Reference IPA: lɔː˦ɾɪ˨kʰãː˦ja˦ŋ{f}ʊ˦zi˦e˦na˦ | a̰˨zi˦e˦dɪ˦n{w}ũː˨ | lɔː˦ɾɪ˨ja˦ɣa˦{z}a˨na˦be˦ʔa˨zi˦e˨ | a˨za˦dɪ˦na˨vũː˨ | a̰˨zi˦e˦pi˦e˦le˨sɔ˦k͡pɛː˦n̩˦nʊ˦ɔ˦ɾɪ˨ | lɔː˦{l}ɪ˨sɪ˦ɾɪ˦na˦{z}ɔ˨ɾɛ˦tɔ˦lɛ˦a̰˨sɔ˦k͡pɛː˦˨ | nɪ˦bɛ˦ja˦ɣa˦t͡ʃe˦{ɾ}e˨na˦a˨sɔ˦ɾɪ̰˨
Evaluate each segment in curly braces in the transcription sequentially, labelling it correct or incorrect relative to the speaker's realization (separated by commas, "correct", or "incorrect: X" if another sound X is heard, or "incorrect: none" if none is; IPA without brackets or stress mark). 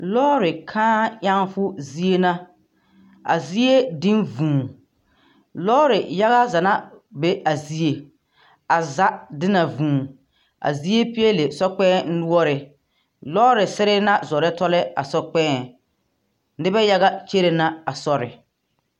correct, incorrect: v, correct, incorrect: ɾ, correct, correct